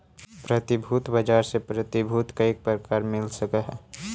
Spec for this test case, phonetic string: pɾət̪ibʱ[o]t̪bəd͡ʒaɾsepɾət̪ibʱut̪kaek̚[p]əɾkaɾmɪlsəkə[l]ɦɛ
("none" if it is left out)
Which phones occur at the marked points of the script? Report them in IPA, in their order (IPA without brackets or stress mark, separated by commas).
u, p, none